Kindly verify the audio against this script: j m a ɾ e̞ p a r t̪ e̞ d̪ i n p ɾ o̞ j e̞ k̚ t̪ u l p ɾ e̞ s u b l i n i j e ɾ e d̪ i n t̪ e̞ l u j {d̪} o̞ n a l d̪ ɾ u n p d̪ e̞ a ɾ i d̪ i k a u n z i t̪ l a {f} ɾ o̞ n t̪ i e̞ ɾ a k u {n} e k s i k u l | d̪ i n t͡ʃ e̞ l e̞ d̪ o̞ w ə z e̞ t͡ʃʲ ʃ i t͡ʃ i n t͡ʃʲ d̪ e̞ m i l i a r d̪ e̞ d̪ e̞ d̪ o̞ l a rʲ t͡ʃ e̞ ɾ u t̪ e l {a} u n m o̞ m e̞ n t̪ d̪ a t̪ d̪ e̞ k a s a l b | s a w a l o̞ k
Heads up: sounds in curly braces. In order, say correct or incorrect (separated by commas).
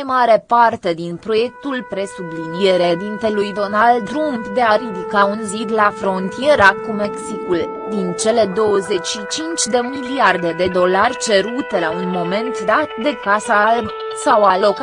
correct, correct, incorrect, correct